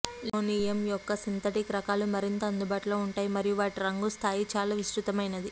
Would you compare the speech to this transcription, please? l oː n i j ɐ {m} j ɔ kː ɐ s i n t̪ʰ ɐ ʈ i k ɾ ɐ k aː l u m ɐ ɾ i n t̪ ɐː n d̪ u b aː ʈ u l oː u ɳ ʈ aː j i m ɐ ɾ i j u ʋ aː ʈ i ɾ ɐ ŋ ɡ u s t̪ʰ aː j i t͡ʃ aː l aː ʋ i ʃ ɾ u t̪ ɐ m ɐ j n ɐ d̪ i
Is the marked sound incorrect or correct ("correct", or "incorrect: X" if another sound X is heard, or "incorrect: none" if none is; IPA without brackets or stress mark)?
correct